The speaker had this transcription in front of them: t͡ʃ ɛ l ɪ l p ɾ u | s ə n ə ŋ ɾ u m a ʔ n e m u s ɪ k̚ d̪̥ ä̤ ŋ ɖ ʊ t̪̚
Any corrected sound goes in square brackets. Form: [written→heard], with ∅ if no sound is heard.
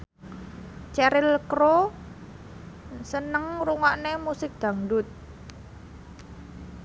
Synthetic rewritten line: t͡ʃ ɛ [l→ɾ] ɪ l [p→k] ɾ [u→o] | s ə n ə ŋ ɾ u [m→ŋ] a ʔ n e m u s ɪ k̚ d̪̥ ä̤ ŋ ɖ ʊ t̪̚